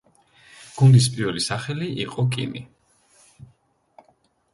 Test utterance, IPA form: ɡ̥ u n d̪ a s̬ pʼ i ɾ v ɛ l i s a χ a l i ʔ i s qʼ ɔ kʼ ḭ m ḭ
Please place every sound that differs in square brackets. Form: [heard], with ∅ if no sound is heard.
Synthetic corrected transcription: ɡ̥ u n d̪ [i] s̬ pʼ i ɾ v ɛ l i s a χ [ɛ] l i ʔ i [∅] qʼ ɔ kʼ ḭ m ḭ